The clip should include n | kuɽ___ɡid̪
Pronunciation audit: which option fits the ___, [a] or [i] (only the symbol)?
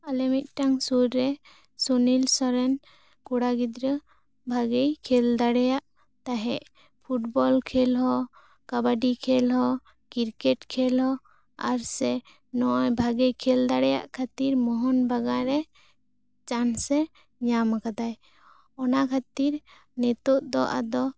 a